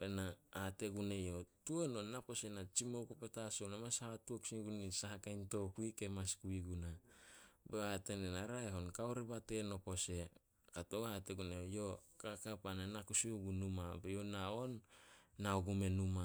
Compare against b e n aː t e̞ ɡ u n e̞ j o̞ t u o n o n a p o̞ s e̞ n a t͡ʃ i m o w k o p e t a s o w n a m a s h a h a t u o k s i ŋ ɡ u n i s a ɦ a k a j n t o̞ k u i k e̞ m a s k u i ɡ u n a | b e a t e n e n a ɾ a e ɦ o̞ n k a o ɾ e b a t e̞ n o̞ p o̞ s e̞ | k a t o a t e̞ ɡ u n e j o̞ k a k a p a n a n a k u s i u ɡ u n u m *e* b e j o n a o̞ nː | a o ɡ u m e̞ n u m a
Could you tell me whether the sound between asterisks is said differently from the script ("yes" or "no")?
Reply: yes